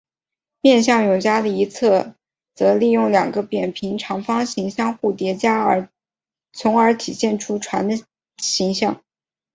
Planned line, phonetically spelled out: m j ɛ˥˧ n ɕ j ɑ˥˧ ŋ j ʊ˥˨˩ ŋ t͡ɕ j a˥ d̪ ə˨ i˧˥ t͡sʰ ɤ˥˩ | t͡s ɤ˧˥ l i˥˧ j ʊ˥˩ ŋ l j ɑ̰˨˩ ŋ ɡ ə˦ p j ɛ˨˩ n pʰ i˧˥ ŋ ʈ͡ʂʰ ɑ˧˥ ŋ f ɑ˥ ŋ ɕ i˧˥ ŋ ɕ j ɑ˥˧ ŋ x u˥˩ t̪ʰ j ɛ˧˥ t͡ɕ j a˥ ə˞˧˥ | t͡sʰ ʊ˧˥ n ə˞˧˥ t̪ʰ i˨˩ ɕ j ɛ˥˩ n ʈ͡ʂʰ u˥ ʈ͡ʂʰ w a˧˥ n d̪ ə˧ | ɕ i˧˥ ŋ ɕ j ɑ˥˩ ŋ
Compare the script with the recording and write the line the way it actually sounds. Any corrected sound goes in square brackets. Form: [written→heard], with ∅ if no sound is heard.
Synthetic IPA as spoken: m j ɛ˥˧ n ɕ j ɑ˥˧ ŋ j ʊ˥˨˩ ŋ t͡ɕ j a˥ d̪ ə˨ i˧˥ t͡sʰ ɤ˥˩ | t͡s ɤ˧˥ l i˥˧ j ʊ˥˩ ŋ l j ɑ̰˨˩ ŋ ɡ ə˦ p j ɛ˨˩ n pʰ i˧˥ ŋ ʈ͡ʂʰ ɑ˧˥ ŋ f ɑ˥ ŋ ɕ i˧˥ ŋ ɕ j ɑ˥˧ ŋ x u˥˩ [t̪ʰ→t̪] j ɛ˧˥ t͡ɕ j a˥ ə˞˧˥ | t͡sʰ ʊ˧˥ [n→ŋ] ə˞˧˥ t̪ʰ i˨˩ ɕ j ɛ˥˩ n ʈ͡ʂʰ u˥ ʈ͡ʂʰ w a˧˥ n d̪ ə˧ | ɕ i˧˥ ŋ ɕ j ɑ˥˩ ŋ